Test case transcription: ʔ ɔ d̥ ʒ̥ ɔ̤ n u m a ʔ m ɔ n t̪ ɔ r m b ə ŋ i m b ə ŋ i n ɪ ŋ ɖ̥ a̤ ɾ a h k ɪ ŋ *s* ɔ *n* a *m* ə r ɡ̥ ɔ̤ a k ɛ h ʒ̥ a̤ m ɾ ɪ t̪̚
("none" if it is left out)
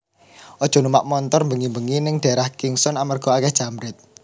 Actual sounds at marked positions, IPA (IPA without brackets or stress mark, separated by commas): s, n, m